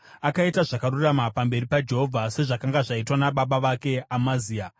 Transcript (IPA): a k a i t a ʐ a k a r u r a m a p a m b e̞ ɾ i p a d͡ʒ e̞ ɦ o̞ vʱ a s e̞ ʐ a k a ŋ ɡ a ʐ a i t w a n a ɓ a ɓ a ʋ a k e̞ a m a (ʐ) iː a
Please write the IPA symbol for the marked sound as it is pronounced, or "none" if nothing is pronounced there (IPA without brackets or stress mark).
z